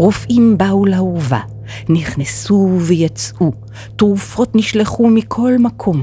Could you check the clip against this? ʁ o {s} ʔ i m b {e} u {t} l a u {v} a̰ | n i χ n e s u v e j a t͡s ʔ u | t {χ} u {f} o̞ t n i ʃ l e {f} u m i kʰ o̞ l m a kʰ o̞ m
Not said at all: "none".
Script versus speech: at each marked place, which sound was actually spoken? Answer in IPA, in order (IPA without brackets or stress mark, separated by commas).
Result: f, a, none, v, ʁ, f, χ